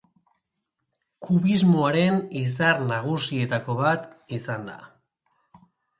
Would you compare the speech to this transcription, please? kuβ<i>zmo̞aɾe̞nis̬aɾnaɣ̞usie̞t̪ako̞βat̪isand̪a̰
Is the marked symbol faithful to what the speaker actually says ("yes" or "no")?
yes